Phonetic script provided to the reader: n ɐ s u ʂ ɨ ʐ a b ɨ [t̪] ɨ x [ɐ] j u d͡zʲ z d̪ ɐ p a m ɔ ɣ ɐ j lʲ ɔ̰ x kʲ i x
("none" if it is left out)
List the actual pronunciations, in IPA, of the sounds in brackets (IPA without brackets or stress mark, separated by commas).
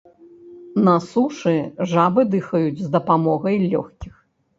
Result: d̪, ɐ